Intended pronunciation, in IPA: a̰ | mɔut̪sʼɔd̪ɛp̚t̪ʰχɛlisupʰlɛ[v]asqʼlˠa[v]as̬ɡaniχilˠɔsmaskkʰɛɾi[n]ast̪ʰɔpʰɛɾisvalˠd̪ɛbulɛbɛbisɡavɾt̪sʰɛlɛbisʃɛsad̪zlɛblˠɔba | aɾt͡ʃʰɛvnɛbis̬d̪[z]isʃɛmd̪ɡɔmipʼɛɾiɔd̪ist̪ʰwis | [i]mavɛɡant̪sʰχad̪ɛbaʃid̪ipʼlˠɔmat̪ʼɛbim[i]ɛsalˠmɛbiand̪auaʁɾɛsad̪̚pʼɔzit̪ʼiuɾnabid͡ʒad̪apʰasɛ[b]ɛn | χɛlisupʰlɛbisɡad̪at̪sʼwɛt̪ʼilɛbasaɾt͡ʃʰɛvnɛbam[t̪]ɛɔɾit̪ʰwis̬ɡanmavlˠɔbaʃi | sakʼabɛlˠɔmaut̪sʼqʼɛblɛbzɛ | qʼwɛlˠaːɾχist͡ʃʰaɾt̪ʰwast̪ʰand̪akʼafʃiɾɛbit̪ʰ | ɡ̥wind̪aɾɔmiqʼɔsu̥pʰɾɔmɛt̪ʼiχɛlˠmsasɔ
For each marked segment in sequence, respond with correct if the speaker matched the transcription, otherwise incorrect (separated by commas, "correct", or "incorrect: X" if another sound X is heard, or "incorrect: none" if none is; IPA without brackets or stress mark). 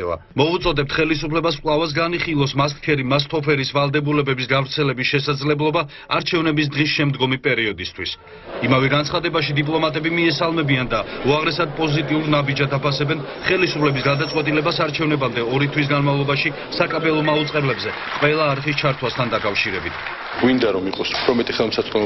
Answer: incorrect: b, correct, incorrect: m, incorrect: ʁ, correct, correct, correct, incorrect: d̪